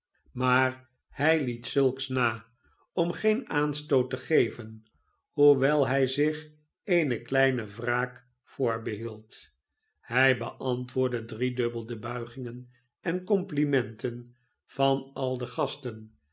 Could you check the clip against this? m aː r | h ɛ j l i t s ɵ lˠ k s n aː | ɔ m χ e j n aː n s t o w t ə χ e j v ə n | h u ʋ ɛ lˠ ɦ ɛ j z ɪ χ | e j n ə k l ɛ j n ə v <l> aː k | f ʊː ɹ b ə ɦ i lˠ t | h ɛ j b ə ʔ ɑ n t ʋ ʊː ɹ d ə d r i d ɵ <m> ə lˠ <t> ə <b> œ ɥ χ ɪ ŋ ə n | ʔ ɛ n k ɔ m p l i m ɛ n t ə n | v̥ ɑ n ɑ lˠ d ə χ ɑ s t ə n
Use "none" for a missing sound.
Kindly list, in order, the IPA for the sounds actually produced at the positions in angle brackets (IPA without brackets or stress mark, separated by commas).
r, b, d, b